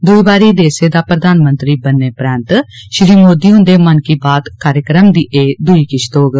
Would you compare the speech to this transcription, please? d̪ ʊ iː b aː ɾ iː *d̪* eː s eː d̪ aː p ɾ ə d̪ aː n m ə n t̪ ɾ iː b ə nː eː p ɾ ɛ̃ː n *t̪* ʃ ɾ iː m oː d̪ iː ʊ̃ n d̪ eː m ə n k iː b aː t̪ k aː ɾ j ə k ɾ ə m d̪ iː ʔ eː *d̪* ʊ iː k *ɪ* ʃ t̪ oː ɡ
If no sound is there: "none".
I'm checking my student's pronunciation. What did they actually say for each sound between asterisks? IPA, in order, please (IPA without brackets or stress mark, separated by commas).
d̪, t̪, d̪, ɪ